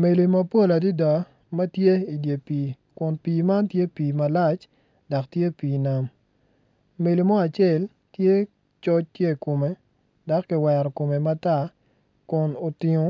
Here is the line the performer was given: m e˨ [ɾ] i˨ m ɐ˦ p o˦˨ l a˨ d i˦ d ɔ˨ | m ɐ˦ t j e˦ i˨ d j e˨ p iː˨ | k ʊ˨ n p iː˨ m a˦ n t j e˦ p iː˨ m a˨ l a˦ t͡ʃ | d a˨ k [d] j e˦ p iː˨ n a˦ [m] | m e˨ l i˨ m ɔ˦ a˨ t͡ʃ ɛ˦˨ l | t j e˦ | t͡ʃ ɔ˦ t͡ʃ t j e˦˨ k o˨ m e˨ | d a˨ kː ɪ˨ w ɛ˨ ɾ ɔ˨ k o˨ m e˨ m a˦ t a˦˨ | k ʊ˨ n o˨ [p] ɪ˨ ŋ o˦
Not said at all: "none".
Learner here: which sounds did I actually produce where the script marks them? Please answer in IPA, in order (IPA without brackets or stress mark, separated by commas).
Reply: l, t, m, t